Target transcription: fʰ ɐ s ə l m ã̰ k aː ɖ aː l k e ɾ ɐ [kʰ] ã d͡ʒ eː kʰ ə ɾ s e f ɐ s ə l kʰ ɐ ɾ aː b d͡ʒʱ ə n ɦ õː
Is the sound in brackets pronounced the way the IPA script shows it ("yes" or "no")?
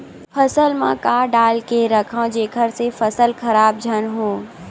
yes